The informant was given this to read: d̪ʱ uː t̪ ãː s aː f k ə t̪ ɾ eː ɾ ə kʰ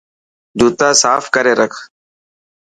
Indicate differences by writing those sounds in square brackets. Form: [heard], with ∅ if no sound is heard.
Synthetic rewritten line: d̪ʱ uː t̪ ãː s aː f k ə [∅] ɾ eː ɾ ə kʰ